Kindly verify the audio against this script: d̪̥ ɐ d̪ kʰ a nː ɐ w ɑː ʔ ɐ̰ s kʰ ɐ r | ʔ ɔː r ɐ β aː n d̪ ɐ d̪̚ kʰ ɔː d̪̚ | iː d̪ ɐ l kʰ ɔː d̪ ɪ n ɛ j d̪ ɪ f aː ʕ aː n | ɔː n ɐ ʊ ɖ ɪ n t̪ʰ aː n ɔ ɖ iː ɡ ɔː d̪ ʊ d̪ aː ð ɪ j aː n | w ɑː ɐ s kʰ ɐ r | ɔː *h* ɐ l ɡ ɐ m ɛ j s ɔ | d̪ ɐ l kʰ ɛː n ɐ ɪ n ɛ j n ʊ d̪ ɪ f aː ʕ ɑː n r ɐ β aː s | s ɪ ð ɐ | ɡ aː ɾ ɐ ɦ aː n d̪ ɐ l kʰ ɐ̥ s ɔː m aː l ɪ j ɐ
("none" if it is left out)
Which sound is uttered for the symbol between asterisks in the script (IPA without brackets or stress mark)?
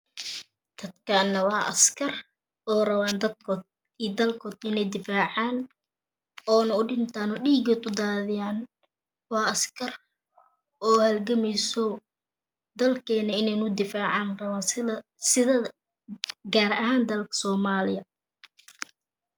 h